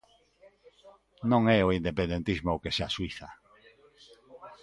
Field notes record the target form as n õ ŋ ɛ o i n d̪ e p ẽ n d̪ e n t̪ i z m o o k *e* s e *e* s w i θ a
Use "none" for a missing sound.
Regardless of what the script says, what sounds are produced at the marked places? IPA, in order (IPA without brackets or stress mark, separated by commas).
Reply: e, a